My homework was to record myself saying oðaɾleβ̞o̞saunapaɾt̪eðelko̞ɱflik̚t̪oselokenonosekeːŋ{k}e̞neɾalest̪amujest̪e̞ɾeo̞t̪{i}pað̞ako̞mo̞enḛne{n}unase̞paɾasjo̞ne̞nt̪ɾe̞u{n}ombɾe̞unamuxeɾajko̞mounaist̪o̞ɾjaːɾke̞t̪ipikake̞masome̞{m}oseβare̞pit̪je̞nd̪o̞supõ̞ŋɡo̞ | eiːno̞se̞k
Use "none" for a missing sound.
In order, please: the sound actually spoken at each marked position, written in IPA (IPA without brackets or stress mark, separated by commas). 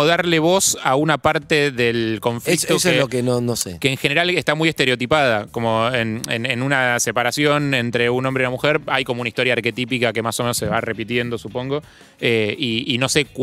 x, i, n, n, n